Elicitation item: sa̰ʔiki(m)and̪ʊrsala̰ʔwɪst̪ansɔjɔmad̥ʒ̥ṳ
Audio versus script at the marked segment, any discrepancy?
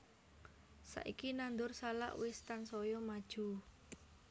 yes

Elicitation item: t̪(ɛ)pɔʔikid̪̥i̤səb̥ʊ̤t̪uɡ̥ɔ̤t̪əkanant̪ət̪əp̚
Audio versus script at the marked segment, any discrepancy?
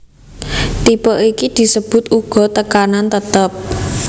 yes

